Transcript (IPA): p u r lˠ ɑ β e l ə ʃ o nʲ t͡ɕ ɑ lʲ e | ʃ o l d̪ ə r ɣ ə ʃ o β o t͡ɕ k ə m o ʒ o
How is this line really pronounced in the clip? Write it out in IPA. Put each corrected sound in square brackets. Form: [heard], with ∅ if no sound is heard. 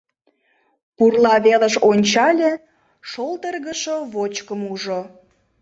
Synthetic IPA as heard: p u r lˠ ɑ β e l ə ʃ o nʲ t͡ɕ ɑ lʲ e | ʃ o l [t̪] ə r ɣ ə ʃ o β o t͡ɕ k ə m [u] ʒ o